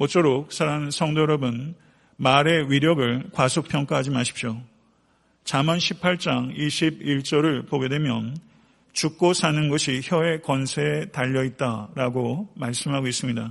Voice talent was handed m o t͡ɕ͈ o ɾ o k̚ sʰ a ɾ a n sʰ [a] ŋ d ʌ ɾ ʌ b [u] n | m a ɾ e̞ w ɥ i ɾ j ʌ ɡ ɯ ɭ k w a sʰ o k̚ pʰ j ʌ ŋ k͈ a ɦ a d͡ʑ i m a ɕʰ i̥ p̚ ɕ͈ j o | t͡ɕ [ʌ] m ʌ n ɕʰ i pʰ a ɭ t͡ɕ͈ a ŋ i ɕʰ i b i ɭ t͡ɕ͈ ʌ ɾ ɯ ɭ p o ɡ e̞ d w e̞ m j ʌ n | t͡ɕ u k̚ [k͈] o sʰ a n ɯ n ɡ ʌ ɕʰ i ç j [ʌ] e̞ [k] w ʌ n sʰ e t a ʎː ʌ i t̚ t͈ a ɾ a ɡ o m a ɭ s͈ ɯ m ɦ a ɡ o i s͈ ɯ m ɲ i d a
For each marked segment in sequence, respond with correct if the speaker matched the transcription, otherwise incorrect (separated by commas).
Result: incorrect, incorrect, incorrect, correct, correct, correct